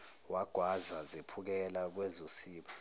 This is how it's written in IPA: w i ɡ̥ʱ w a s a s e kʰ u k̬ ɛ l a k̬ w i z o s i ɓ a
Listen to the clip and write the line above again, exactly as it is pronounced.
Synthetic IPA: w a ɡ̥ʱ w a z a z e pʰ u k̬ ɛ l a k̬ w ɛ z o s iː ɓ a